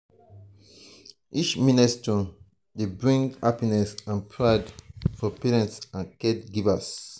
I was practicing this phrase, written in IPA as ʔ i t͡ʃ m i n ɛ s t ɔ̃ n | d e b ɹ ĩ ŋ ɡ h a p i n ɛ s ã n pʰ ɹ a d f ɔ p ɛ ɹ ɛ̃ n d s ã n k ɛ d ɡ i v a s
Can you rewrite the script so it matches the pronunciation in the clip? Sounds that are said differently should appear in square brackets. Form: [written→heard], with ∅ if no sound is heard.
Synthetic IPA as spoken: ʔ i t͡ʃ m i n ɛ s t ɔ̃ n | d e b ɹ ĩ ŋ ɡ h a p i n ɛ s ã n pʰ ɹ a d f ɔ p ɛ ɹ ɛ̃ n [d→t] s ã n k ɛ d ɡ i v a s